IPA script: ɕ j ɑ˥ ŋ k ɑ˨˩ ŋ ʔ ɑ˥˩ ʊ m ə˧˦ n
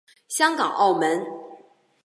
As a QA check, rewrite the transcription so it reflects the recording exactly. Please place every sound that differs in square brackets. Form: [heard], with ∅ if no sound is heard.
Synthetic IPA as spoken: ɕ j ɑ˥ ŋ k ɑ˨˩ ŋ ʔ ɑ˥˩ ʊ m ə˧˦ n